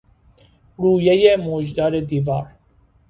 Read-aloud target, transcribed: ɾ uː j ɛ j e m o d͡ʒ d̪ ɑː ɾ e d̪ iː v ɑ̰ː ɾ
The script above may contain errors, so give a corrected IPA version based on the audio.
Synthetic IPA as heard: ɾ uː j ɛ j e m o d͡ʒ d̪ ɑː ɾ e d̪ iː v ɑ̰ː ɾ